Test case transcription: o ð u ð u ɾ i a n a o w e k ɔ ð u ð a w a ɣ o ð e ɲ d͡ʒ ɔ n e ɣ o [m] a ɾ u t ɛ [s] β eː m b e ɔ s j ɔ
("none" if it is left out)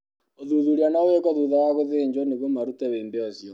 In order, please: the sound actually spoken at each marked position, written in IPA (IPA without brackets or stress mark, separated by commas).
m, none